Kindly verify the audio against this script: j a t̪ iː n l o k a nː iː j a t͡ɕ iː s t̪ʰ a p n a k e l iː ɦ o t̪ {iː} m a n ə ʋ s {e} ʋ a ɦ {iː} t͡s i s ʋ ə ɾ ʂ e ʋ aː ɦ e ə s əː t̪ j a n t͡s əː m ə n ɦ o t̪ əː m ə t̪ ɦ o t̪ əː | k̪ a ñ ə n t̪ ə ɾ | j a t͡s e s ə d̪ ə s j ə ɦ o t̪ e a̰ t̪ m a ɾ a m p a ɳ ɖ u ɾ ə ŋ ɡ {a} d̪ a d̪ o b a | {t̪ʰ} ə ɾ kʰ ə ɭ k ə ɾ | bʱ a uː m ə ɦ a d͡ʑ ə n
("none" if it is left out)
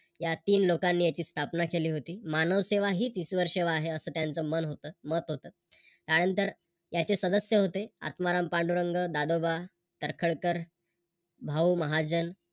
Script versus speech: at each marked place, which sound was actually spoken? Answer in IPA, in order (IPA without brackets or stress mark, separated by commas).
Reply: iː, e, iː, ə, t̪